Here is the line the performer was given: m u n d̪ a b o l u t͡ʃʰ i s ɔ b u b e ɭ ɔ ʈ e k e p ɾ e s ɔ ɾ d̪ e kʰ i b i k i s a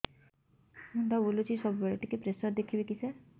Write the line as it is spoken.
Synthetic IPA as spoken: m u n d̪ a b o l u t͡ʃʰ i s ɔ b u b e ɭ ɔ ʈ i k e p ɾ e s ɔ ɾ d̪ e kʰ i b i k i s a